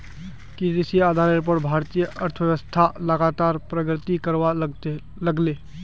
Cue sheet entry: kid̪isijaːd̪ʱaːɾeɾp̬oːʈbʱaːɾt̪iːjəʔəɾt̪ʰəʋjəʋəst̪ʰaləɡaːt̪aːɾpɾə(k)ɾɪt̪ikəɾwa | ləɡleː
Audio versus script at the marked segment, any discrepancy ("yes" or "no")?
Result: yes